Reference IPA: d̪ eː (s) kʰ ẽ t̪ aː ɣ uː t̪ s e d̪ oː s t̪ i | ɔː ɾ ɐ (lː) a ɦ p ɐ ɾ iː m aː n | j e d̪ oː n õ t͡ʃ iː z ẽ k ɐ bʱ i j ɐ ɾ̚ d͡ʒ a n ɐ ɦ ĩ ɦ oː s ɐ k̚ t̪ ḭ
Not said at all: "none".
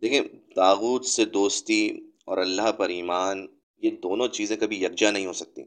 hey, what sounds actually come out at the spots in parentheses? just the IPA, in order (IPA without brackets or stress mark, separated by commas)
none, lː